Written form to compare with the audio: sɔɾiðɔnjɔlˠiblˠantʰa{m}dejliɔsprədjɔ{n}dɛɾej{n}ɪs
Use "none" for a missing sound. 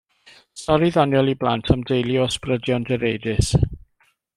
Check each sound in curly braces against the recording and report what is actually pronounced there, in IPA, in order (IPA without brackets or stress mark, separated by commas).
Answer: m, n, d